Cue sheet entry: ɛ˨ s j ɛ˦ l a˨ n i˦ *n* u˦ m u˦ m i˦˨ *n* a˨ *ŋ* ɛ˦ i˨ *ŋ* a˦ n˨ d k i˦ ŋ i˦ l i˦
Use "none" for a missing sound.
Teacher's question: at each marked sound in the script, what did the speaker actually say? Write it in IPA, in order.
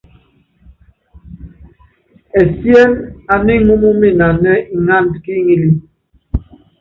m, n, n, ŋ

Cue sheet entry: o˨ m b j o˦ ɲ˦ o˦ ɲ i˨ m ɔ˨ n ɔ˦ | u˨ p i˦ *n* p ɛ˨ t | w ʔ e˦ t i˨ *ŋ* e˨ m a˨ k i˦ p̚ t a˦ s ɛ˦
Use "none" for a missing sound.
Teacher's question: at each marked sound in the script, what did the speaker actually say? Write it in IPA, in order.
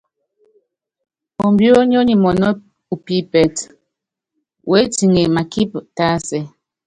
none, ŋ

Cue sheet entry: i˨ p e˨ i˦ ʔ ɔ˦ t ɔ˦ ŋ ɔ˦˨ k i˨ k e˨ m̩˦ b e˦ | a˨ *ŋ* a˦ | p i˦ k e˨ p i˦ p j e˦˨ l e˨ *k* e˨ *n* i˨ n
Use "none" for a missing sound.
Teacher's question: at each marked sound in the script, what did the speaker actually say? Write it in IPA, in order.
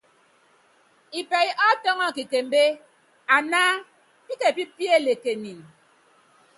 n, k, n

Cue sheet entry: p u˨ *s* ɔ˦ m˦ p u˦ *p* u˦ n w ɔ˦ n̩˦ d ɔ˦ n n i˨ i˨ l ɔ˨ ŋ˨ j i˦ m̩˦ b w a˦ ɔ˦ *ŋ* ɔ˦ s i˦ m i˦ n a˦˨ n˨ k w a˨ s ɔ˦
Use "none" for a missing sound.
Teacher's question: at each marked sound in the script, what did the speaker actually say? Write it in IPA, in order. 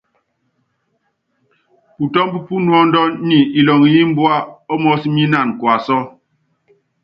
t, p, m

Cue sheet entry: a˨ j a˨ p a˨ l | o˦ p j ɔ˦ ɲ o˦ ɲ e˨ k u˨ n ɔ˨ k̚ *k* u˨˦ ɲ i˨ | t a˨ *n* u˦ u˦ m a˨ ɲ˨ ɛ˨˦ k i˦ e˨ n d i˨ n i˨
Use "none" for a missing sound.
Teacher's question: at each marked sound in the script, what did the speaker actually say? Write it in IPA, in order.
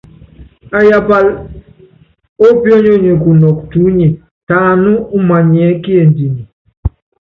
t, n

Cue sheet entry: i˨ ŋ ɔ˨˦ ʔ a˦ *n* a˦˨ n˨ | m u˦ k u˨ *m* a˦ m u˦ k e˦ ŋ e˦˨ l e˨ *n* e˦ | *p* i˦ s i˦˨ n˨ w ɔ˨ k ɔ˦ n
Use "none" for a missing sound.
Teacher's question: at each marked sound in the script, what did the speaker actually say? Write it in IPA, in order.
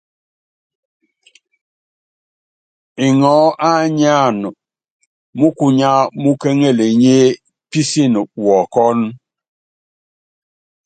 ɲ, ɲ, ɲ, p

